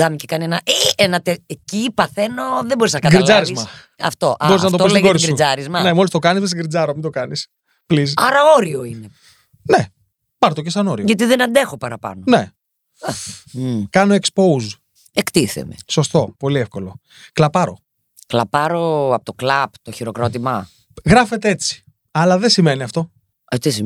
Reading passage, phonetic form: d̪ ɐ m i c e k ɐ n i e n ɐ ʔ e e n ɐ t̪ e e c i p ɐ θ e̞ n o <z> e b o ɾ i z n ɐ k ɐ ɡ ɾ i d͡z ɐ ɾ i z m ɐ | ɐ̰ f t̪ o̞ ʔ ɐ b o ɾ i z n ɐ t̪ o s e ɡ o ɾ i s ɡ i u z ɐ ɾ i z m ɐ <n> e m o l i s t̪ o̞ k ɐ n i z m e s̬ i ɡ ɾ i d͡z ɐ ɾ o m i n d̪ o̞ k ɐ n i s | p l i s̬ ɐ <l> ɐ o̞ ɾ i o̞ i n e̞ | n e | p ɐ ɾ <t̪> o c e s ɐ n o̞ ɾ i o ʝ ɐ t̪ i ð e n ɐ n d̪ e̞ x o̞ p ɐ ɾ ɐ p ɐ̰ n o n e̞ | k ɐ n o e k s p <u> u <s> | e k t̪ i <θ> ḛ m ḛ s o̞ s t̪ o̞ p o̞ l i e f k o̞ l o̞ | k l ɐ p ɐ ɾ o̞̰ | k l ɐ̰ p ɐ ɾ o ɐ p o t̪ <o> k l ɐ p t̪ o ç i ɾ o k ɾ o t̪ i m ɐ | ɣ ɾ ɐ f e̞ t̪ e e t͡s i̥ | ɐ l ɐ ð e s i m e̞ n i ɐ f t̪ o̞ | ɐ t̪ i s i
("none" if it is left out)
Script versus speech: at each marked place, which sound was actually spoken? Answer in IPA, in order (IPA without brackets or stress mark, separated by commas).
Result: ð, n, ɾ, t̪, o, z, θ, o